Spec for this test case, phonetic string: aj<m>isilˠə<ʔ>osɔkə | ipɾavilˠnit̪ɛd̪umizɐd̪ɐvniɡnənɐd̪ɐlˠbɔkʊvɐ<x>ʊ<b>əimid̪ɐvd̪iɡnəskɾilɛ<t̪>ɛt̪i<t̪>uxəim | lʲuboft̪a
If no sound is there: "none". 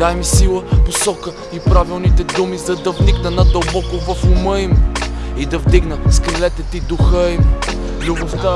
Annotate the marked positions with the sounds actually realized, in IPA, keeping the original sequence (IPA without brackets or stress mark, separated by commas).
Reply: m, p, f, m, t̪, d̪